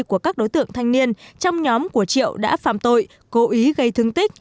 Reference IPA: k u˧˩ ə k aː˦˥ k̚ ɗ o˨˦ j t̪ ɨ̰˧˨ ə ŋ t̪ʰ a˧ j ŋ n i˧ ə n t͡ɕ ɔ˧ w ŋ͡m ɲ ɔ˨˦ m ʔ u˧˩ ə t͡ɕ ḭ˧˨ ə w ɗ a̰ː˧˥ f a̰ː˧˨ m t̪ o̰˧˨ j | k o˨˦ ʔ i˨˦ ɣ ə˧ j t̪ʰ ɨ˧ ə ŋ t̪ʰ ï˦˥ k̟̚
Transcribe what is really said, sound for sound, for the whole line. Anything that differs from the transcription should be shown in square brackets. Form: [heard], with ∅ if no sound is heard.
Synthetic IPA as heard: k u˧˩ ə k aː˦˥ k̚ ɗ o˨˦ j t̪ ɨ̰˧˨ ə ŋ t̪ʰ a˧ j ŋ n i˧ ə n t͡ɕ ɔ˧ w ŋ͡m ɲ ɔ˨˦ m [k] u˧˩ ə t͡ɕ ḭ˧˨ ə w ɗ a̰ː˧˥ f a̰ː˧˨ m t̪ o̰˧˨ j | k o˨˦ ʔ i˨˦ ɣ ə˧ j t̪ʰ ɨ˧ ə ŋ [t̪] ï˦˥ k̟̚